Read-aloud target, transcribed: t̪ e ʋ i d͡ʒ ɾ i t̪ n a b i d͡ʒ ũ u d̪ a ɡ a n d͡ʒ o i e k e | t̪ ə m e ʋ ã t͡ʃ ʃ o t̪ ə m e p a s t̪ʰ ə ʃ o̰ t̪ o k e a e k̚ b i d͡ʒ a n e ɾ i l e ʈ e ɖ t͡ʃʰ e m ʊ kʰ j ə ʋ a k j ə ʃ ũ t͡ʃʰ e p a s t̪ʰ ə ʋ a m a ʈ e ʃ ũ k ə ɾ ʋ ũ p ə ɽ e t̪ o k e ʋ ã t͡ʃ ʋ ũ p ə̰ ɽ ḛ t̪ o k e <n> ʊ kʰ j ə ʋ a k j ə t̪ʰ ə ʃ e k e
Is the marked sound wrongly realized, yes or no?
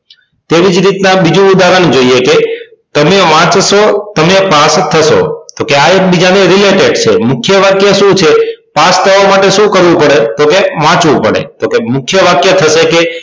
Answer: yes